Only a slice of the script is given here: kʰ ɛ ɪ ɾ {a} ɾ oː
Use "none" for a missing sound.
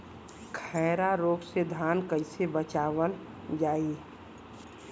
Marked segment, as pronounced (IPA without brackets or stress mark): a